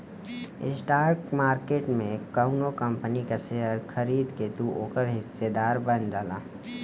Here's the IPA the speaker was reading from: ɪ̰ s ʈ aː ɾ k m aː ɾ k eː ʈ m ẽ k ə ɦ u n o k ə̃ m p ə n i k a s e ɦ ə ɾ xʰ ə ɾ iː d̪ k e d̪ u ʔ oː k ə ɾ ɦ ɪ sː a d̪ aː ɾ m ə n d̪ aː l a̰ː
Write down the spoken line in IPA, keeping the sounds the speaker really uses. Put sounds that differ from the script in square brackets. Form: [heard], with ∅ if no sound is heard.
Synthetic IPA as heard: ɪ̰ s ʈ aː ɾ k m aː ɾ k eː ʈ m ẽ k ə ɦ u n o k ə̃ m p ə n i k a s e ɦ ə ɾ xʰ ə ɾ iː d̪ k e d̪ u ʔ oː k ə ɾ ɦ ɪ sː [e] d̪ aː ɾ [b] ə n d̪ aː l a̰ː